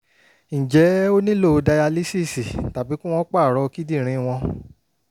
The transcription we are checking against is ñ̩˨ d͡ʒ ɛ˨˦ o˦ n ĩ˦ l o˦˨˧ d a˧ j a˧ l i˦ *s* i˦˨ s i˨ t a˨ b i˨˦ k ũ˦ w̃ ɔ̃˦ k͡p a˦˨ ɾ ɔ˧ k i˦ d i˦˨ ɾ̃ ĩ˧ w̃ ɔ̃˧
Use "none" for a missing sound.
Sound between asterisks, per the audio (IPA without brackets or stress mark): s